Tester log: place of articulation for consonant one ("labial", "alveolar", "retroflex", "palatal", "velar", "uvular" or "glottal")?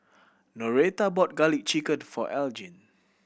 alveolar